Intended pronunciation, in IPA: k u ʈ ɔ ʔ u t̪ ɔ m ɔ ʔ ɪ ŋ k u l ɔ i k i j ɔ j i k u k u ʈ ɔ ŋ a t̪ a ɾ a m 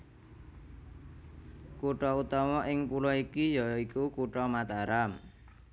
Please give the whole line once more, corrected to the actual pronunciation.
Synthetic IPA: k u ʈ ɔ u t̪ ɔ m ɔ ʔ ɪ ŋ p u l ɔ i k i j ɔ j i k u k u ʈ ɔ m a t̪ a ɾ a m

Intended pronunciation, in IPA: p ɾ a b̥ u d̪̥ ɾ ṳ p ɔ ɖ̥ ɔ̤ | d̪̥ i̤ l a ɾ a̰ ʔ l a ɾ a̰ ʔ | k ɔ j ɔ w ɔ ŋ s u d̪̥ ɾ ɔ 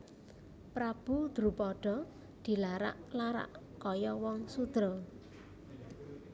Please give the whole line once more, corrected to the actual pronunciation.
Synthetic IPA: p ɾ a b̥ u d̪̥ ɾ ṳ p ɔ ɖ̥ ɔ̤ | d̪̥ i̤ l a ɾ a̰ ʔ l a ɾ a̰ ʔ | k ɔ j ɔ w ɔ ŋ s u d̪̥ ɾ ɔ

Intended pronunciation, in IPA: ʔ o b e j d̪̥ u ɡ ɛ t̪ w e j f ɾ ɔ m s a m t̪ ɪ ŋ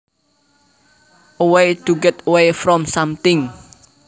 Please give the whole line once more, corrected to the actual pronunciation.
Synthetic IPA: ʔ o w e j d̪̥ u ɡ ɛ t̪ w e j f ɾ ɔ m s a m t̪ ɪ ŋ

